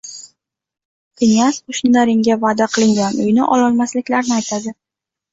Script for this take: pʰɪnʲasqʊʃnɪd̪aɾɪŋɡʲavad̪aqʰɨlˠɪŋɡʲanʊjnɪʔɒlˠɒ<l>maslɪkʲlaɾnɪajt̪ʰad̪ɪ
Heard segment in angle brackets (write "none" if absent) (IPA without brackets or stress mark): l